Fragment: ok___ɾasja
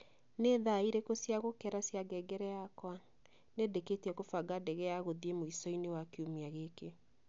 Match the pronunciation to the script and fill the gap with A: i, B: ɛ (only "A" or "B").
B